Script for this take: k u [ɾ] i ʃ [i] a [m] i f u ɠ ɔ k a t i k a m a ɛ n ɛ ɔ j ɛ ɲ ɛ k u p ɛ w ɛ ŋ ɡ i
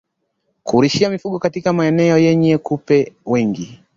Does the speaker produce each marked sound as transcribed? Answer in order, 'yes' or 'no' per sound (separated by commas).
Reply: yes, yes, yes